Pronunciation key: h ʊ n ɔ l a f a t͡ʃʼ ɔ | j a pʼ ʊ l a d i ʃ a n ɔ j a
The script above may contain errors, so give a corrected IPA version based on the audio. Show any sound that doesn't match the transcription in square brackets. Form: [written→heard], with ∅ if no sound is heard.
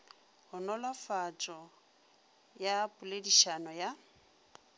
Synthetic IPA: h ʊ n ɔ l a f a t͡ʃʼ ɔ | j a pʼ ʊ l [a→e] d i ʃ a n ɔ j a